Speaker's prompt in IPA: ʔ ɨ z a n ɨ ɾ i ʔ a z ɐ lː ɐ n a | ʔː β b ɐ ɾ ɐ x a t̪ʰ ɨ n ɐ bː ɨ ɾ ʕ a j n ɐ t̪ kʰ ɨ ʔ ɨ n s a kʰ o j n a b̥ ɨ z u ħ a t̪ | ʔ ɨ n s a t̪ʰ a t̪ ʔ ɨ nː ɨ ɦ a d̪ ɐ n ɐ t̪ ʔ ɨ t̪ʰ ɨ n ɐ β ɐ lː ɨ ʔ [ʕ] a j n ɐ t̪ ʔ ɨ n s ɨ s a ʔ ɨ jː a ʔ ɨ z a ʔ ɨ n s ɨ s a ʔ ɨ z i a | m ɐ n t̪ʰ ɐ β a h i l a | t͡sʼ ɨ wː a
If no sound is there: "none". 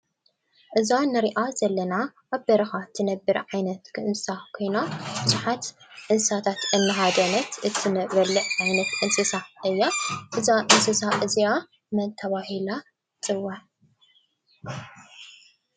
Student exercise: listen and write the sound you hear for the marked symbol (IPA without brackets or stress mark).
ʕ